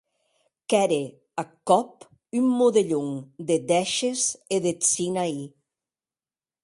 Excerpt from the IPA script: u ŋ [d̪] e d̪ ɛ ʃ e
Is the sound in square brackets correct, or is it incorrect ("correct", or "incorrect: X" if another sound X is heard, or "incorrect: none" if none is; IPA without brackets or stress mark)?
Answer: correct